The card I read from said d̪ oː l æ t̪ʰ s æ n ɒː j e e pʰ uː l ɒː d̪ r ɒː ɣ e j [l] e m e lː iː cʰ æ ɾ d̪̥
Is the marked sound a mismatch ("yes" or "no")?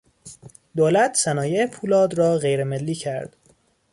yes